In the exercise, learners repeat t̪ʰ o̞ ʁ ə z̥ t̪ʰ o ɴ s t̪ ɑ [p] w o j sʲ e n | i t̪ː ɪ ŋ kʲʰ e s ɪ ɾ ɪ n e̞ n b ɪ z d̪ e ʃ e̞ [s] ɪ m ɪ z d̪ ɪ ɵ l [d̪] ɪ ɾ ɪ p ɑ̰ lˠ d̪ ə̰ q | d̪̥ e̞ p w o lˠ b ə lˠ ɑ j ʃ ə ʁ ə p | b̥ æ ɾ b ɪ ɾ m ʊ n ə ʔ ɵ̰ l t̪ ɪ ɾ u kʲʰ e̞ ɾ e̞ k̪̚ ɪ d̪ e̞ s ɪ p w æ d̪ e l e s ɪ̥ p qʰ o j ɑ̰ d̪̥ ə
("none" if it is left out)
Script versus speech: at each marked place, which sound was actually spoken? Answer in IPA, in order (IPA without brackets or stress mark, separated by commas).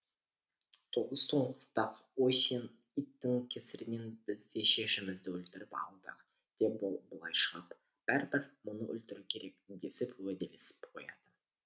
q, ʃ, t̪